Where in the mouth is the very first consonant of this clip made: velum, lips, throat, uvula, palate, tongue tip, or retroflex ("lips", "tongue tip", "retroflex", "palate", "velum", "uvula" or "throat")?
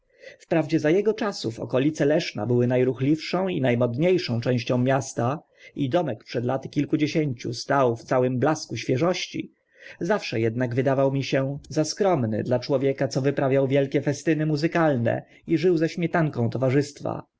lips